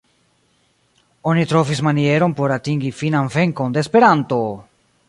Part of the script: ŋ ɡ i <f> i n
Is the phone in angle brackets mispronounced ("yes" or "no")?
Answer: no